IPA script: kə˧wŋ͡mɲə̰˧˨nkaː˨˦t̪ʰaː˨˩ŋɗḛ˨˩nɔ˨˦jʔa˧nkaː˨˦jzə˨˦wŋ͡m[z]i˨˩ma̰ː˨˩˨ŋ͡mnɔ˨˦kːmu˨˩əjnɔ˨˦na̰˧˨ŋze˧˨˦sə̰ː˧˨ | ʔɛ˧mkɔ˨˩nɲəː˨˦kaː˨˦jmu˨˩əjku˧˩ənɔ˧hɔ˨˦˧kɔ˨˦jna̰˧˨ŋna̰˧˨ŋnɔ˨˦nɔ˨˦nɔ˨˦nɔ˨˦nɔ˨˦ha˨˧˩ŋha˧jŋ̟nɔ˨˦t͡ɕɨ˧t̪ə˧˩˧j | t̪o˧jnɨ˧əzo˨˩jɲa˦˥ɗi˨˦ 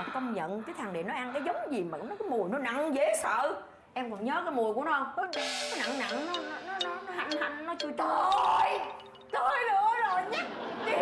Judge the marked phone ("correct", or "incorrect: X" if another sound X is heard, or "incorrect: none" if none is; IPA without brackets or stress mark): correct